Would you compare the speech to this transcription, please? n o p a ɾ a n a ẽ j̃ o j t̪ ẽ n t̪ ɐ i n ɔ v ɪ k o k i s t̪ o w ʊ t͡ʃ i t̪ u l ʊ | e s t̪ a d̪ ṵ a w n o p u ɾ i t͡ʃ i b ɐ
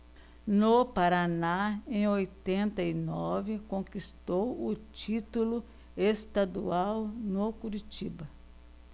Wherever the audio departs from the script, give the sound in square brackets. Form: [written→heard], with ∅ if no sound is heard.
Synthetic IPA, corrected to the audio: n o p a ɾ a n a ẽ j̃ o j t̪ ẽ n t̪ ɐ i n ɔ v ɪ k [o→õ] k i s t̪ o w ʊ t͡ʃ i t̪ u l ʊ | e s t̪ a d̪ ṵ a w n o [p→k] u ɾ i t͡ʃ i b ɐ